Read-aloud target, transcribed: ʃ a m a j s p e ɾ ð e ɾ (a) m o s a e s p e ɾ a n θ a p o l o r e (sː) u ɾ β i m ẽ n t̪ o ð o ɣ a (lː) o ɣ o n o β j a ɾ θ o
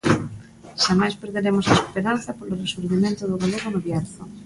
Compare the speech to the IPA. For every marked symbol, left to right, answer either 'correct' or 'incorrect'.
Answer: incorrect, incorrect, incorrect

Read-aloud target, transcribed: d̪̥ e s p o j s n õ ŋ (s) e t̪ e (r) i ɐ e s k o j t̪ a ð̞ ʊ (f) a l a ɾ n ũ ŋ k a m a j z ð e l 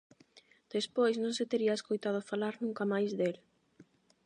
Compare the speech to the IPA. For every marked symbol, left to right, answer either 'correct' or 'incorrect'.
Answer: correct, incorrect, correct

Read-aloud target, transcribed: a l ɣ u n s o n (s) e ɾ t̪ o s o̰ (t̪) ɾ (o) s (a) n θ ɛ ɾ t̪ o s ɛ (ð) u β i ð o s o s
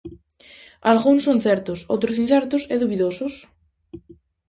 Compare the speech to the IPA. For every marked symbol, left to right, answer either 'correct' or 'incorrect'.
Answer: incorrect, correct, correct, incorrect, correct

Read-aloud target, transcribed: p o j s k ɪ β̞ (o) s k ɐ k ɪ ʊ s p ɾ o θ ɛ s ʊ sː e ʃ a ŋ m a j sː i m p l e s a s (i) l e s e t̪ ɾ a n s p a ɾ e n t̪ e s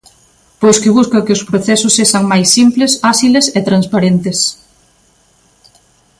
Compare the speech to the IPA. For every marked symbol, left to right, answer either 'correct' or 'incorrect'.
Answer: incorrect, correct

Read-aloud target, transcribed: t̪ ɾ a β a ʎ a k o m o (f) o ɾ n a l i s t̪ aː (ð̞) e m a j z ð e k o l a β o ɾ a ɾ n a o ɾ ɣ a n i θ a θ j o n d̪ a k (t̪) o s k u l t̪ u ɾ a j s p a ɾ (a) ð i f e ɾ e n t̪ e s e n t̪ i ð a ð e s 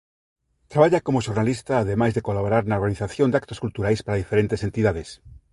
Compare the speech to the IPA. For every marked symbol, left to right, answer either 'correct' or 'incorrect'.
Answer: incorrect, correct, correct, correct

